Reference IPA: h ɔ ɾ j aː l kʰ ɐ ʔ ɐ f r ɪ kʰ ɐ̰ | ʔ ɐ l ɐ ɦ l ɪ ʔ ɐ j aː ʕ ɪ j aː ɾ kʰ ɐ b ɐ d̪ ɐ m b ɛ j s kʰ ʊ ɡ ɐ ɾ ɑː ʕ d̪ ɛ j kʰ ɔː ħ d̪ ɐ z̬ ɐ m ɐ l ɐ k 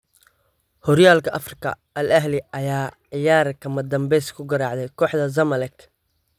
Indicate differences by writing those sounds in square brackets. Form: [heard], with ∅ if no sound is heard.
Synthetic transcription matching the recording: h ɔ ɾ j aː l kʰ ɐ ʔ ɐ f r ɪ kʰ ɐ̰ | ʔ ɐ l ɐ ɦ l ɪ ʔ ɐ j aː ʕ ɪ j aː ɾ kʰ ɐ [m] ɐ d̪ ɐ m b ɛ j s kʰ ʊ ɡ ɐ ɾ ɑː ʕ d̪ ɛ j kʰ ɔː ħ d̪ ɐ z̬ ɐ m ɐ l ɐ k